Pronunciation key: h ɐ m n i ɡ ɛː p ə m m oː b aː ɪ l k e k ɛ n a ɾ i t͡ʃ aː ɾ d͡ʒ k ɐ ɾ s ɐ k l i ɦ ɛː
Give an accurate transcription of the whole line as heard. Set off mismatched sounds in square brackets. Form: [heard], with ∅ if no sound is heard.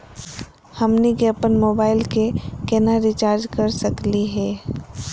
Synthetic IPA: h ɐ m n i ɡ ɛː p ə [n] m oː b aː ɪ l k e k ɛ n a ɾ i t͡ʃ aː ɾ d͡ʒ k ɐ ɾ s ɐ k l i ɦ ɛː